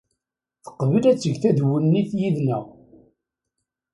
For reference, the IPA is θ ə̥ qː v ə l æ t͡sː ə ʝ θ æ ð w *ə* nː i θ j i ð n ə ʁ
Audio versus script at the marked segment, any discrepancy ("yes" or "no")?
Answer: no